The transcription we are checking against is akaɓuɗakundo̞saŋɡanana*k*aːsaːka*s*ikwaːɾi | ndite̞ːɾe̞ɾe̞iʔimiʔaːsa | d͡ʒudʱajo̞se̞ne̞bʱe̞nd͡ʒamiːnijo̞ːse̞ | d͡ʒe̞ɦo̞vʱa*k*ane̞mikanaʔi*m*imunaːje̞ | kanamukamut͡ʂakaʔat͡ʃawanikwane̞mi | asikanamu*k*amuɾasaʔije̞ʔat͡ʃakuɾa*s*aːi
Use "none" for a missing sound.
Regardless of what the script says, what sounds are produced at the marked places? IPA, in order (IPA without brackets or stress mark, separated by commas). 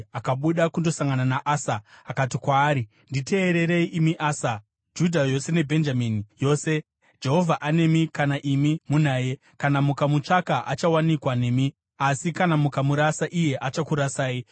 ʔ, t, ʔ, m, k, s